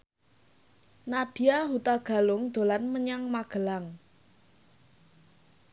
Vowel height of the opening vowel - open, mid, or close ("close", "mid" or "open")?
open